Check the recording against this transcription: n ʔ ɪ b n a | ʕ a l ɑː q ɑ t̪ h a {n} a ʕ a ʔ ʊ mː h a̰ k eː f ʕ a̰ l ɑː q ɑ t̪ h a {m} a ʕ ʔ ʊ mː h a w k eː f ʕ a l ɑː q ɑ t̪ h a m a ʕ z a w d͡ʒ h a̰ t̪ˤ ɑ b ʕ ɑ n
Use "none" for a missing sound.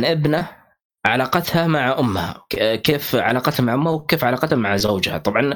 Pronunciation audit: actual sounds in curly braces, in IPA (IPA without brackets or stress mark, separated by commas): m, m